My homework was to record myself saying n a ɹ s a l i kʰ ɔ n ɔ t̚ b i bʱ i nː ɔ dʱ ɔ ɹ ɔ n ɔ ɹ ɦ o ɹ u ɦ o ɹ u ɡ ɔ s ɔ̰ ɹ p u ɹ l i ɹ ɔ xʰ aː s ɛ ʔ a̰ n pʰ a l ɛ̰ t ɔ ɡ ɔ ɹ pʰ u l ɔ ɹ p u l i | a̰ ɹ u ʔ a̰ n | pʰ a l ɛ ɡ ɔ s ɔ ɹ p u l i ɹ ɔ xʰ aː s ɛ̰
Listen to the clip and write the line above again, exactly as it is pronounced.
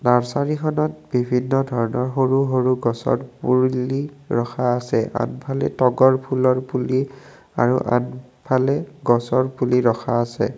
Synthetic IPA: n a ɹ s a ɹ i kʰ ɔ n ɔ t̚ b i bʱ i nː ɔ dʱ ɔ ɹ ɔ n ɔ ɹ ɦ o ɹ u ɦ o ɹ u ɡ ɔ s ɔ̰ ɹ p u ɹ l i ɹ ɔ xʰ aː s ɛ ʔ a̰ n pʰ a l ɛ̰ t ɔ ɡ ɔ ɹ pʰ u l ɔ ɹ p u l i | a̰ ɹ u ʔ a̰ n | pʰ a l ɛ ɡ ɔ s ɔ ɹ p u l i ɹ ɔ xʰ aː s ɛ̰